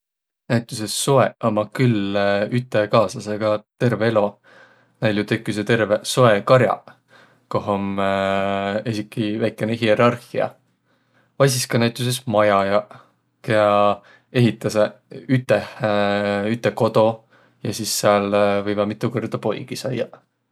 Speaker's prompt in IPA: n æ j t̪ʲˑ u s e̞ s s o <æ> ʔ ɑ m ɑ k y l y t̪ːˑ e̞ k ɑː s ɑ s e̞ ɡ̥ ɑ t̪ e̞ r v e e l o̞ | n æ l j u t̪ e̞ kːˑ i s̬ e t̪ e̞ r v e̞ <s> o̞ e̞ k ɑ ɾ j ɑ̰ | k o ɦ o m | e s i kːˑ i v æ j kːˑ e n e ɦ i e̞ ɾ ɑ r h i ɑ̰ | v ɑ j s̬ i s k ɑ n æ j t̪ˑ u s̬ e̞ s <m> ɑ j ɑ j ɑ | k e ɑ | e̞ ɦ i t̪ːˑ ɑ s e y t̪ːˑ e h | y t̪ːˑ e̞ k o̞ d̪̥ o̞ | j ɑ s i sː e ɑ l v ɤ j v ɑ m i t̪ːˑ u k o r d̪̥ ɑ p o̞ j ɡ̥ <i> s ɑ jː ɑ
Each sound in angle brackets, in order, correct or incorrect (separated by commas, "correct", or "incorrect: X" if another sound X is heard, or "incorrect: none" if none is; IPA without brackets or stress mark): incorrect: e, correct, correct, correct